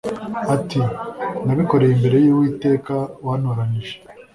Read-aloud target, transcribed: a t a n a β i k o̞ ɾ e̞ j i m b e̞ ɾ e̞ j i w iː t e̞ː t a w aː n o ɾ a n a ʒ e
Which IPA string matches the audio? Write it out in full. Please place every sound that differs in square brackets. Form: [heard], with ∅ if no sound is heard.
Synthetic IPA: a t [i] n a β i k o̞ ɾ e̞ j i m b e̞ ɾ e̞ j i w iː t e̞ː [k] a w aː n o ɾ a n [i] ʒ e